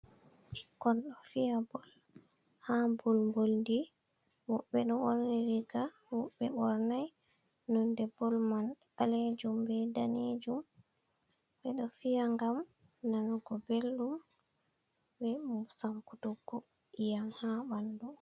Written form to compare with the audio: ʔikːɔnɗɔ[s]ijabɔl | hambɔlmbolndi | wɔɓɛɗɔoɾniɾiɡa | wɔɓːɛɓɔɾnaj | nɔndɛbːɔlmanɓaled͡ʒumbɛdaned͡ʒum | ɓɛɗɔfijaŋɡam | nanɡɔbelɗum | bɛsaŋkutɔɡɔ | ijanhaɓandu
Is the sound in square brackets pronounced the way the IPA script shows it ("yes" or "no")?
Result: no